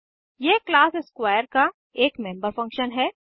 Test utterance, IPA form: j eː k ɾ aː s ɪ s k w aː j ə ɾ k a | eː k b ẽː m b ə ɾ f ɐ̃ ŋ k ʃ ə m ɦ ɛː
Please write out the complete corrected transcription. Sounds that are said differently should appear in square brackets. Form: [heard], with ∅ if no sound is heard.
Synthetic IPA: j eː k [l] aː s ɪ s k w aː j ə ɾ k a | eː k [m] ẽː m b ə ɾ f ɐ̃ ŋ k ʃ ə [n] ɦ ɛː